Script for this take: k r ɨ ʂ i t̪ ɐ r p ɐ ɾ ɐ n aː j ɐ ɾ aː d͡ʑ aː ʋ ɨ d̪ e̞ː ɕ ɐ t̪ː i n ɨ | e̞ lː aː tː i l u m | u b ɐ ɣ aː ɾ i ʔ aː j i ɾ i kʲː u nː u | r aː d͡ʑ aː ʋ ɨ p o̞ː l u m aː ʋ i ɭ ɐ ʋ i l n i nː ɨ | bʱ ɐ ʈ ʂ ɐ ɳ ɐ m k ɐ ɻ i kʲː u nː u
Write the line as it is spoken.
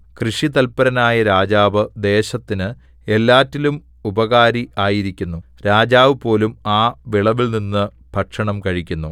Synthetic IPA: k r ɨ ʂ i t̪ ɐ l p ɐ ɾ ɐ n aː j ɐ ɾ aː d͡ʑ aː ʋ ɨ d̪ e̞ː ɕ ɐ t̪ː i n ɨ | e̞ lː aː tː i l u m | u b ɐ ɣ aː ɾ i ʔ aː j i ɾ i kʲː u nː u | ɾ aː d͡ʑ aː ʋ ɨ p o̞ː l u m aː ʋ i ɭ ɐ ʋ i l n i nː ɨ | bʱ ɐ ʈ ʂ ɐ ɳ ɐ m k ɐ ɻ i kʲː u nː u